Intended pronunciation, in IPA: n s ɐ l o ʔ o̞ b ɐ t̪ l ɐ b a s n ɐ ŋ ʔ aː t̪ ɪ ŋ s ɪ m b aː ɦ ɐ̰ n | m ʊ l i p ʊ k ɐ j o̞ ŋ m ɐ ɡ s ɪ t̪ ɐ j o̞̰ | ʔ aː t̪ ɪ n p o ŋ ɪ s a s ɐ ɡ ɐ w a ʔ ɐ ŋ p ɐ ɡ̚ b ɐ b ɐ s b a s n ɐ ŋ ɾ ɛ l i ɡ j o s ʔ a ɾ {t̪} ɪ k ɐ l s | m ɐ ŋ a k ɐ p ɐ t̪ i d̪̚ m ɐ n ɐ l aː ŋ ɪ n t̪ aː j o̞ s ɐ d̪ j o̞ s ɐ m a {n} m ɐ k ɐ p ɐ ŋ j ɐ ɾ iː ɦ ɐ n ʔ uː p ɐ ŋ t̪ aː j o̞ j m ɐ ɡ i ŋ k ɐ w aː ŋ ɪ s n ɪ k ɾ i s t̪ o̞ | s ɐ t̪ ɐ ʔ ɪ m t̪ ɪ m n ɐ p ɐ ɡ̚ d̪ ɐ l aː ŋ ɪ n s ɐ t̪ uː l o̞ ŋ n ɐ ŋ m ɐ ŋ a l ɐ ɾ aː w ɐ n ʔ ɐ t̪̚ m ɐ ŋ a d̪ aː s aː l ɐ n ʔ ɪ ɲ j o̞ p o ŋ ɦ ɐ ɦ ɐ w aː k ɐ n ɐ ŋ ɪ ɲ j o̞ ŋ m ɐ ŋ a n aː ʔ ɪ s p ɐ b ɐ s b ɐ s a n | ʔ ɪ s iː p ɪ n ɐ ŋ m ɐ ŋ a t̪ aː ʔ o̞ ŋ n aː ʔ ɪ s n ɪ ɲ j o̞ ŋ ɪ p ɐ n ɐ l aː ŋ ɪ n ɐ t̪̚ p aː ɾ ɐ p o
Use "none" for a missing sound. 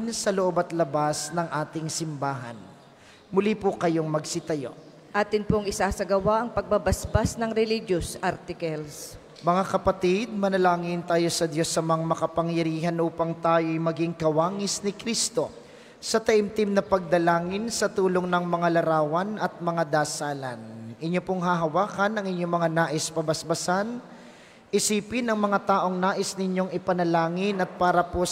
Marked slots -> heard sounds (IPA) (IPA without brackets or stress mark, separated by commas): t̪, ŋ